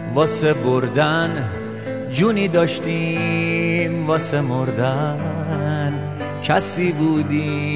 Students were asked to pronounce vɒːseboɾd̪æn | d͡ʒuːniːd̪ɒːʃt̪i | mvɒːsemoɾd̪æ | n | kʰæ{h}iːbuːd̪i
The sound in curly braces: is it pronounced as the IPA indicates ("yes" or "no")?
no